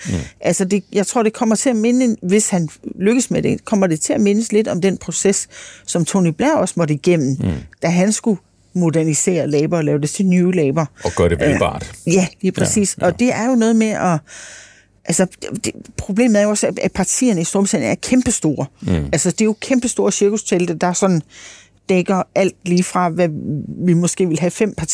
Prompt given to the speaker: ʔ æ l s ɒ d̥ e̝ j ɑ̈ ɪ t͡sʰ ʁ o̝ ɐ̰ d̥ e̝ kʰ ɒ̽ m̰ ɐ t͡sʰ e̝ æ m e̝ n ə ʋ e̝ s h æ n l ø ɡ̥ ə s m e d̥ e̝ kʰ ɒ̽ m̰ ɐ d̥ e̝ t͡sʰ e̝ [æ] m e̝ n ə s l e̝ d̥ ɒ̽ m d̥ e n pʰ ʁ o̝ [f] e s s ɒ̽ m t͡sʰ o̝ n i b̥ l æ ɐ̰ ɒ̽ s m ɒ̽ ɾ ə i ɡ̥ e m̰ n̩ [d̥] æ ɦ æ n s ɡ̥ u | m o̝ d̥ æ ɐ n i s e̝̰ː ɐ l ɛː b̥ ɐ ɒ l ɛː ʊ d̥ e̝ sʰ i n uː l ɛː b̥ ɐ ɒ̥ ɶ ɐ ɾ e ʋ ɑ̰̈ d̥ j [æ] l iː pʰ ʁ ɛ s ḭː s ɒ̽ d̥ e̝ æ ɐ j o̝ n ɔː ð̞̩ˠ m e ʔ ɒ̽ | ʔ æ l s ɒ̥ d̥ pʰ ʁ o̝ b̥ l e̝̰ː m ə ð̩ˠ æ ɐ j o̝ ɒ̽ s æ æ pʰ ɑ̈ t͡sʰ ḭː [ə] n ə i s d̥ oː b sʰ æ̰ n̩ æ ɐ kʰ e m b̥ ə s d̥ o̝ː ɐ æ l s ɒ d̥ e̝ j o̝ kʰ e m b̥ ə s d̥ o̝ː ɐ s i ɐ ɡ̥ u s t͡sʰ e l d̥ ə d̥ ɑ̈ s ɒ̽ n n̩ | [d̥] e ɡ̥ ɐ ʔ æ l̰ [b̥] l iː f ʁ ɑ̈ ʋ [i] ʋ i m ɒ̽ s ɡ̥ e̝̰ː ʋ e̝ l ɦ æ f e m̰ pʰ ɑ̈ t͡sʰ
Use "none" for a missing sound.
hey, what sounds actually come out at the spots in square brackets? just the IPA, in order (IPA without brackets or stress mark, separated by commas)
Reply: æ, s, d̥, æ, ɐ, d̥, d̥, æ